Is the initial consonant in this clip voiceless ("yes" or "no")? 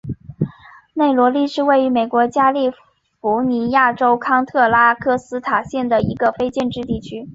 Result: no